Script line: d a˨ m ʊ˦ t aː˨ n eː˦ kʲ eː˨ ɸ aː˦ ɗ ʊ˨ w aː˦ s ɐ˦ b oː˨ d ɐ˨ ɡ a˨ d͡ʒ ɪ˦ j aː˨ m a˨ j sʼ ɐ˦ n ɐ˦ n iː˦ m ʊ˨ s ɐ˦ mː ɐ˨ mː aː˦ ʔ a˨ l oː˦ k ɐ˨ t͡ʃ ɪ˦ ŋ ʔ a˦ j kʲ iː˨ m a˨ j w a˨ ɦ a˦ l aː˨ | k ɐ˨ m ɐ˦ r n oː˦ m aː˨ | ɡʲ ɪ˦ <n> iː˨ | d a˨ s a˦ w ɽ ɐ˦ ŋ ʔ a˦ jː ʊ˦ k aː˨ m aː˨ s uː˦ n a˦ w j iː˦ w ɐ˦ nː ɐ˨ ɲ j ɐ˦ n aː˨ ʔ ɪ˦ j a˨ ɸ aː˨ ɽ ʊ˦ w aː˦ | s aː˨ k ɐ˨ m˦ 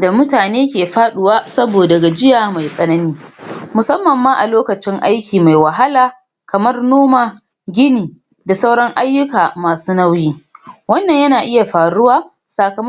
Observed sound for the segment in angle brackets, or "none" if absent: n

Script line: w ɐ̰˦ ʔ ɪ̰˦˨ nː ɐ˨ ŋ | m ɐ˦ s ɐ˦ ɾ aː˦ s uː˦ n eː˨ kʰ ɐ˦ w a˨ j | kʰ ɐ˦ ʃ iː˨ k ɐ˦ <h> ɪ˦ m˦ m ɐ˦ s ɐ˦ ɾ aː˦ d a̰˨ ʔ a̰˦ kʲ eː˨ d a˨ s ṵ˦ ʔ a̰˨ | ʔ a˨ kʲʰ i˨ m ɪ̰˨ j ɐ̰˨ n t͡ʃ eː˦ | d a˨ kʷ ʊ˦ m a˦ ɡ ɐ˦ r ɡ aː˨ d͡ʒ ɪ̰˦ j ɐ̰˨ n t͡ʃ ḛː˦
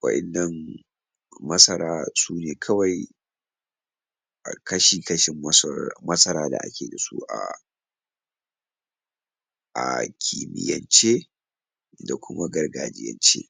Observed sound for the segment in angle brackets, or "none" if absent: ʃ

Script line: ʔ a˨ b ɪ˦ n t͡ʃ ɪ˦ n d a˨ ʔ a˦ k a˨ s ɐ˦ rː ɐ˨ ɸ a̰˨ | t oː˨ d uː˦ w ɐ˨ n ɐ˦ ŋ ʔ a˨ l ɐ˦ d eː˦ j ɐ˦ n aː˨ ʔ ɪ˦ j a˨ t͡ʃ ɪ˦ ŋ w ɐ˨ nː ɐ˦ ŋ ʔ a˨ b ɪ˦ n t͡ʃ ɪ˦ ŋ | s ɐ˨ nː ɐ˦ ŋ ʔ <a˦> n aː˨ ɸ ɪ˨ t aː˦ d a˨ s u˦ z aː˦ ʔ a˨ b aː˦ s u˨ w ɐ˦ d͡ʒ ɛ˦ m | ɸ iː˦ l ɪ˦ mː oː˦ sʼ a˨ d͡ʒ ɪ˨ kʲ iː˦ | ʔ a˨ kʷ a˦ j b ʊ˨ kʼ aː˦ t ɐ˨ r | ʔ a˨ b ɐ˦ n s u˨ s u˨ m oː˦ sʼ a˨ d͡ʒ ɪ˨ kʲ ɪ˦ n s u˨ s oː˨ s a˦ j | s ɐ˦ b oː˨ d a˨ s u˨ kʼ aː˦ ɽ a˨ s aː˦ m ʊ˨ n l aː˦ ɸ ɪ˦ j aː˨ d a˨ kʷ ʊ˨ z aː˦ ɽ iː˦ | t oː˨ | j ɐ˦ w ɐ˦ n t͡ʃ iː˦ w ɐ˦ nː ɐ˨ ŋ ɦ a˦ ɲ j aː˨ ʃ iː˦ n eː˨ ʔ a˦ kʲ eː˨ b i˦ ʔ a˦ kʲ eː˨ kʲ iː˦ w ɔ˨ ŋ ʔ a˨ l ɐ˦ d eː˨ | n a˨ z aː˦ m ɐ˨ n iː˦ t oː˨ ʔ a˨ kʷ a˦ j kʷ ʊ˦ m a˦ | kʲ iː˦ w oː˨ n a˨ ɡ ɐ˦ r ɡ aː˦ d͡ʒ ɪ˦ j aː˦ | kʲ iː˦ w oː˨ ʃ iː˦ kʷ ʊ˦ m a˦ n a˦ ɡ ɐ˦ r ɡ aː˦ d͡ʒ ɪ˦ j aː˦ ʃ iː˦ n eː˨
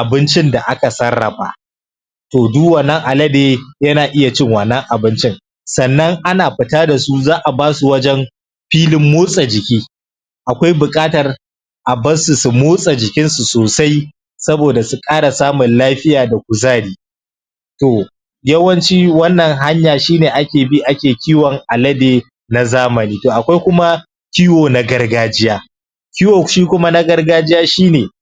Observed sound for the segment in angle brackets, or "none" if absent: a˦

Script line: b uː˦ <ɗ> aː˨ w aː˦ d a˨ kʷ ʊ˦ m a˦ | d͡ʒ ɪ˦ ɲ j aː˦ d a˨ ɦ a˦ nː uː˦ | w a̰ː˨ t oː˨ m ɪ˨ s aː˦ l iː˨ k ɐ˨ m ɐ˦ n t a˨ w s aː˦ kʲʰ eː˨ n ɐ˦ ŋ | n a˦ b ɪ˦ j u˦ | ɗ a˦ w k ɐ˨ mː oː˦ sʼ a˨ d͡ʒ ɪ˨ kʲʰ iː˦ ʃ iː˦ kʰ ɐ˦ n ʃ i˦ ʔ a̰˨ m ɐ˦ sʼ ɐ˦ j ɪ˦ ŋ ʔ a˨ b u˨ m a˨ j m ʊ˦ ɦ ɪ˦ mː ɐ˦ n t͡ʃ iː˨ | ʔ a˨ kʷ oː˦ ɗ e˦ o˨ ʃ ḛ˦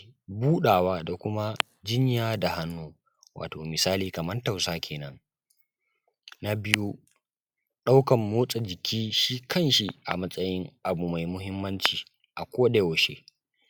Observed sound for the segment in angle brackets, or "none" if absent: ɗ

